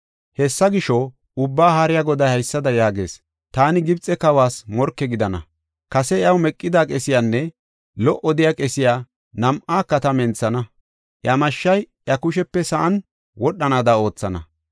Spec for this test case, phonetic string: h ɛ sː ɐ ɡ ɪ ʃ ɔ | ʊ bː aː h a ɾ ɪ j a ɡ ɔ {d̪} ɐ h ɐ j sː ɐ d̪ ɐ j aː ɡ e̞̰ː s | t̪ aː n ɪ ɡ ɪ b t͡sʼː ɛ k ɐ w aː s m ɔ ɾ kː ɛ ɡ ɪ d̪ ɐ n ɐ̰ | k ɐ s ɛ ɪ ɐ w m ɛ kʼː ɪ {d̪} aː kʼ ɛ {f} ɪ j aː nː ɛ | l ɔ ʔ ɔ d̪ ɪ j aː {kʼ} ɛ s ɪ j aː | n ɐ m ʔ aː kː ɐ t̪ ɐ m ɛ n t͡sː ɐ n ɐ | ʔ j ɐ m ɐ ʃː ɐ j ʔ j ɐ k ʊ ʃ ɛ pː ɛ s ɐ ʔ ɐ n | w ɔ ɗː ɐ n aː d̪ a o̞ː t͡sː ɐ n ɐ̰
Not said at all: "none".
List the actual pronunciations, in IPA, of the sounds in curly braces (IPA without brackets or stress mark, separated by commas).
d̪, d̪, s, kʼ